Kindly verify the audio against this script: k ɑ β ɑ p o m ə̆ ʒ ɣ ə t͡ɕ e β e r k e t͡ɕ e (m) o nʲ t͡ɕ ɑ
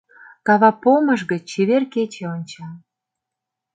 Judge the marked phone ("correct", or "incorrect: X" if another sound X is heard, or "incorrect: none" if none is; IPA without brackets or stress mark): incorrect: none